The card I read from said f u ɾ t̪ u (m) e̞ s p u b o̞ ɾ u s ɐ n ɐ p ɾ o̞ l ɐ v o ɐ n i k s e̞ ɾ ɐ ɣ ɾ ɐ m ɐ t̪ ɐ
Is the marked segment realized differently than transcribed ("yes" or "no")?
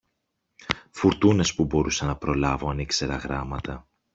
yes